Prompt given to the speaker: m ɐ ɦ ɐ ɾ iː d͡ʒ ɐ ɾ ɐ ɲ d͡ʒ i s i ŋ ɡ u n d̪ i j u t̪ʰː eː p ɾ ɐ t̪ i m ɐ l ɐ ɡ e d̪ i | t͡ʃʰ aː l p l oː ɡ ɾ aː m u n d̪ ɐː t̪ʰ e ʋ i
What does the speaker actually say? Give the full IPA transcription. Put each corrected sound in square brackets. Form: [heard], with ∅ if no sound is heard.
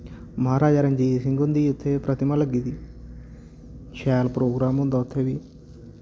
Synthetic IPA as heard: m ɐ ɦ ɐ ɾ [aː] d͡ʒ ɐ ɾ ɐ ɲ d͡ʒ i s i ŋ ɡ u n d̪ i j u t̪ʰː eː p ɾ ɐ t̪ i m ɐ l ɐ ɡ [i] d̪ i | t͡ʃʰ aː l p [ɾ] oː ɡ ɾ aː m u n d̪ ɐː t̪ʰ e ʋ i